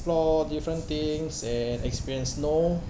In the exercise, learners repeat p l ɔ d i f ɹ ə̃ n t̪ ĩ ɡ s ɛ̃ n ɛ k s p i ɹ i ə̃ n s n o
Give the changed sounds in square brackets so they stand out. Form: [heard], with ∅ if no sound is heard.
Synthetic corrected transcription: p l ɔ d i f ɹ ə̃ n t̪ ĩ [ŋ] s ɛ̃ n ɛ k s p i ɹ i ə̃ n s n o